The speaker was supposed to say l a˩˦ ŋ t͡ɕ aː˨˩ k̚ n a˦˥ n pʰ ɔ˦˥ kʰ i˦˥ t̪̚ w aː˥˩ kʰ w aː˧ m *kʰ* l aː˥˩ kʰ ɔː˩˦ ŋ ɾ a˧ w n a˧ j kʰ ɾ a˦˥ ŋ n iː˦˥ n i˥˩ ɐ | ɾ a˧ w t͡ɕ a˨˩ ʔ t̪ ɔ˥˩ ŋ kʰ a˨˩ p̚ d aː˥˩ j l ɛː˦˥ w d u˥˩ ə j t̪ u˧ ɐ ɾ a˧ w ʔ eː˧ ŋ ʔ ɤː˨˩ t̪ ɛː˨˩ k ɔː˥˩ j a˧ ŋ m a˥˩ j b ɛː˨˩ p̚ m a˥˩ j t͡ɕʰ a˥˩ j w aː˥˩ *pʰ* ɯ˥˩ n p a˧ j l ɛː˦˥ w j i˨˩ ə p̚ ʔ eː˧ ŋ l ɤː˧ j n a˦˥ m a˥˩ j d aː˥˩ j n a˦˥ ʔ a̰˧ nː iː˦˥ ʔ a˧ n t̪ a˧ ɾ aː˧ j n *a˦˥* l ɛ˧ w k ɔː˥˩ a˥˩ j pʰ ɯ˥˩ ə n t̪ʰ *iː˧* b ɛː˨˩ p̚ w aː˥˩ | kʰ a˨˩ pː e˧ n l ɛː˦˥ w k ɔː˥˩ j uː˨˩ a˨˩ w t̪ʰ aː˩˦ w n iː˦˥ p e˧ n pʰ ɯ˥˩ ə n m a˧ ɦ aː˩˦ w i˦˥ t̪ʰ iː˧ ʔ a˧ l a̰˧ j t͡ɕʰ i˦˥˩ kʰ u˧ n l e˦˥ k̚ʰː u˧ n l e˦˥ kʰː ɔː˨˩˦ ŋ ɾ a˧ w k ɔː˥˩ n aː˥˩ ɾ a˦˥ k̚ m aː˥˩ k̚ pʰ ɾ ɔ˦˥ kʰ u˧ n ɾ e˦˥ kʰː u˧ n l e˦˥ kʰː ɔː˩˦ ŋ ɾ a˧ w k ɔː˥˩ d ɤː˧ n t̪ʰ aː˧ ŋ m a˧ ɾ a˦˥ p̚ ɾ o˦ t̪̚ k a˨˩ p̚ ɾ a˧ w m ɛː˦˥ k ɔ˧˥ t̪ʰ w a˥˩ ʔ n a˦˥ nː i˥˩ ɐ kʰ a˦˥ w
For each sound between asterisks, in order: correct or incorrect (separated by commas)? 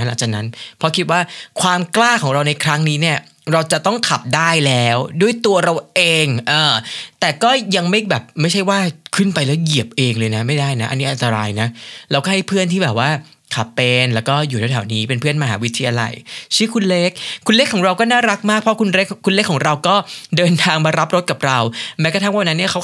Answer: incorrect, incorrect, correct, incorrect